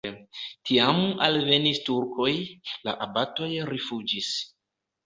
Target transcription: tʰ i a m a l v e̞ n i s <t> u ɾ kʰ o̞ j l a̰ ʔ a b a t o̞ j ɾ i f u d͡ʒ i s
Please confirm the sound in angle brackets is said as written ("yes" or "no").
yes